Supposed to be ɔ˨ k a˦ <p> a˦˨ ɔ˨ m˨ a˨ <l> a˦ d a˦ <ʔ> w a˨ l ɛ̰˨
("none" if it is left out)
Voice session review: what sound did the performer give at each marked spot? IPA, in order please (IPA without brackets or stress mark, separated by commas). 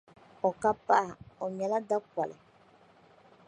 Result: p, l, k